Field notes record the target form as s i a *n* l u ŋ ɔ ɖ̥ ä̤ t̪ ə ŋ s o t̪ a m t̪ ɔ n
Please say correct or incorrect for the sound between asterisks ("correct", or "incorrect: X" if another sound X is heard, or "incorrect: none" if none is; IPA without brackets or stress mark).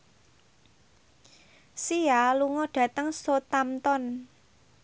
incorrect: none